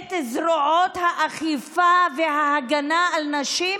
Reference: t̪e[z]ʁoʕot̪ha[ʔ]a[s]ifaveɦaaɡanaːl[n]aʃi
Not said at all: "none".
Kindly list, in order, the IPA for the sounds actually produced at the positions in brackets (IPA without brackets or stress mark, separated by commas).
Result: z, ʔ, χ, n